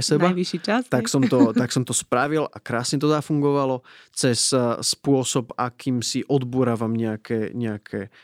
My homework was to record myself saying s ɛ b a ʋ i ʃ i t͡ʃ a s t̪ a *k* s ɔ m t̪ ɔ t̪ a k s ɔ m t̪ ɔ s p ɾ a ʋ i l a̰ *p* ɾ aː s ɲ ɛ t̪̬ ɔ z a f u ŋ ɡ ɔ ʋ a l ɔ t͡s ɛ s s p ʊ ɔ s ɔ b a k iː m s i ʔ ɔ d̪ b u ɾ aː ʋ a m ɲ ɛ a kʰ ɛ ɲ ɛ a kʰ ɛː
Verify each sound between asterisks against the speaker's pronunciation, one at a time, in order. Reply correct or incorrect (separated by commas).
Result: correct, incorrect